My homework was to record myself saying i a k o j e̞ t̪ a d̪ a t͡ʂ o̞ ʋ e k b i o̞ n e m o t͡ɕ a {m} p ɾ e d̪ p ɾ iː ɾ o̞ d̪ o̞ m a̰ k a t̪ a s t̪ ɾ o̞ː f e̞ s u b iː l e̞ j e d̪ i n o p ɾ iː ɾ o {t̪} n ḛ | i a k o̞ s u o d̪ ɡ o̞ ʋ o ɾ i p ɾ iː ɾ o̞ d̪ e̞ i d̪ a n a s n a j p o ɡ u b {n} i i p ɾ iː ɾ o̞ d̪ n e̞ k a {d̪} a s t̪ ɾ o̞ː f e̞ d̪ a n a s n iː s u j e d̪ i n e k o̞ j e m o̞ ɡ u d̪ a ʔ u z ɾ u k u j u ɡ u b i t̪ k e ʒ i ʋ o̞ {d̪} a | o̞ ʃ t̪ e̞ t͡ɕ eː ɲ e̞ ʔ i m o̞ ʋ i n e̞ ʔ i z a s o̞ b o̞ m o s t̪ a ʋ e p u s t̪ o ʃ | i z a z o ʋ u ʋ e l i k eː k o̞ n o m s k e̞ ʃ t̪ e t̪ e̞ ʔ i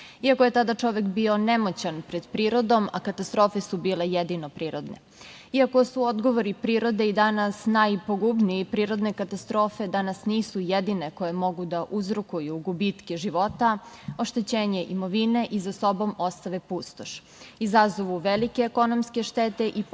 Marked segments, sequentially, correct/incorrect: incorrect, incorrect, correct, incorrect, incorrect

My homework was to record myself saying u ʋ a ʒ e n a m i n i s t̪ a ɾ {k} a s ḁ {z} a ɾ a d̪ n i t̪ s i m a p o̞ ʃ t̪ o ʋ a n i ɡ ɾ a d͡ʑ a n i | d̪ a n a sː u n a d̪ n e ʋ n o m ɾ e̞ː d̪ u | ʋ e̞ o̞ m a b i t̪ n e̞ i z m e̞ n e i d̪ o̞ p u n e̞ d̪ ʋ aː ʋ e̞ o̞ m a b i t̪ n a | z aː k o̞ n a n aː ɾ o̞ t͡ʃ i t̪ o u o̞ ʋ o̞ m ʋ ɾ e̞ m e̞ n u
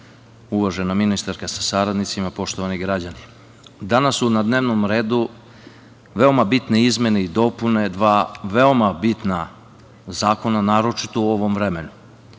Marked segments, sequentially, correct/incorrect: correct, incorrect

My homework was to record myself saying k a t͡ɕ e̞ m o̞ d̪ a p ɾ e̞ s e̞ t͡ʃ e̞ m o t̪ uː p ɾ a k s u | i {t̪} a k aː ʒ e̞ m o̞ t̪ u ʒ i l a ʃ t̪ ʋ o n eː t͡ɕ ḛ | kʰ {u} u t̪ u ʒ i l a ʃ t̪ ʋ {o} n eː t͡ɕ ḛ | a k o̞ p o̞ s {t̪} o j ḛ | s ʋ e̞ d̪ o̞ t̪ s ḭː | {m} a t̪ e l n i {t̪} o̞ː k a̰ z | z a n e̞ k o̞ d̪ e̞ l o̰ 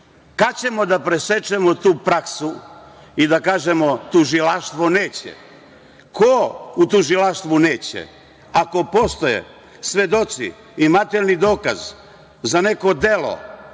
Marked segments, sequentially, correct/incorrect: incorrect, incorrect, incorrect, correct, correct, incorrect

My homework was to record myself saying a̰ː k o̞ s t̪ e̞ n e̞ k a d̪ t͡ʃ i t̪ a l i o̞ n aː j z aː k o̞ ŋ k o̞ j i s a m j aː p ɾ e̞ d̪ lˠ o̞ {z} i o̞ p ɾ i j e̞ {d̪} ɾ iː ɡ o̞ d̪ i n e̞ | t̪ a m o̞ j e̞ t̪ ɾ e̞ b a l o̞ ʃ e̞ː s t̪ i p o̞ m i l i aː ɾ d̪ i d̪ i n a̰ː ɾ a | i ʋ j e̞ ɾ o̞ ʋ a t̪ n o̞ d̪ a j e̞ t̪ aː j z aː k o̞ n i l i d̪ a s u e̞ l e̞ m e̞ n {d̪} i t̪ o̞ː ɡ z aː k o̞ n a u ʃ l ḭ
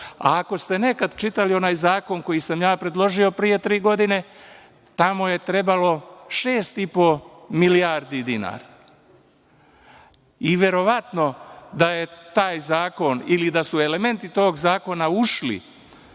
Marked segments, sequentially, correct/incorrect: incorrect, incorrect, incorrect

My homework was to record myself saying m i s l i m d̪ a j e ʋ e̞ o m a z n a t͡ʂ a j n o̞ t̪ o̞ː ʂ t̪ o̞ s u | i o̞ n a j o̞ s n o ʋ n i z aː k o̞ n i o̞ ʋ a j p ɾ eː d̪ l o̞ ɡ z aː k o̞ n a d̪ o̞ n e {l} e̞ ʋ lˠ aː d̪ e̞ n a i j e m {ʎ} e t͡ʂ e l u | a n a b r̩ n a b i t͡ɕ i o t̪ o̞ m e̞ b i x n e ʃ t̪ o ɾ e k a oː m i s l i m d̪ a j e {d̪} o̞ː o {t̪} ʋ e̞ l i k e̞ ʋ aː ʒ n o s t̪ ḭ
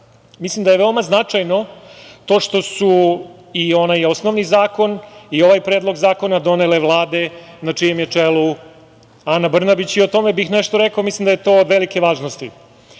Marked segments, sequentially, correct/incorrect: correct, incorrect, incorrect, incorrect

